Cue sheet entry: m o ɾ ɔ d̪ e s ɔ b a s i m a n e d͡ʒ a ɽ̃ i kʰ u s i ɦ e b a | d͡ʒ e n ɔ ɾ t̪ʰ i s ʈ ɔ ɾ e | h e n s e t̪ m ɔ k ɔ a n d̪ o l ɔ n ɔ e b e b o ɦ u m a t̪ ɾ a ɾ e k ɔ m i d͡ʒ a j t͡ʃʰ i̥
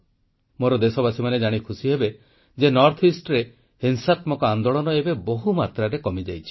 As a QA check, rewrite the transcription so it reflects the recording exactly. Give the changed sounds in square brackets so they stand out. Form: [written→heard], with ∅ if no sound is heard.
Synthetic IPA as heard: m o ɾ ɔ d̪ e s ɔ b a s i m a n e d͡ʒ a ɽ̃ i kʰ u s i ɦ e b [a→e] | d͡ʒ e n ɔ ɾ t̪ʰ i s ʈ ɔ ɾ e | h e n s [e→a] t̪ m ɔ k ɔ a n d̪ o [l→ɭ] ɔ n ɔ e b e b o ɦ u m a t̪ ɾ a ɾ e k ɔ m i d͡ʒ a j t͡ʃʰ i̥